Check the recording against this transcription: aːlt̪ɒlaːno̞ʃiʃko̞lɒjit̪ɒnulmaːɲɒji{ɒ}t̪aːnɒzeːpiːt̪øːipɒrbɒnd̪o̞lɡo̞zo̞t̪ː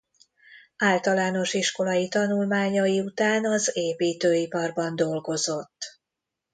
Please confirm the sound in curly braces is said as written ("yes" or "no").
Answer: no